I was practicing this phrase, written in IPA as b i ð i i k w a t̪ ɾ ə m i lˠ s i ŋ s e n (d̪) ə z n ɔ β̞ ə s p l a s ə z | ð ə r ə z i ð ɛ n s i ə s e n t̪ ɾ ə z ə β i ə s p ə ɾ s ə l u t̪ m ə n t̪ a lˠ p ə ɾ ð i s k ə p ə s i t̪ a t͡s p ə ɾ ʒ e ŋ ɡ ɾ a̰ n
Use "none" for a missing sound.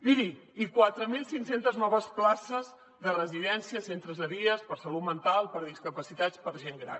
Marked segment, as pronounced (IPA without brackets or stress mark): t̪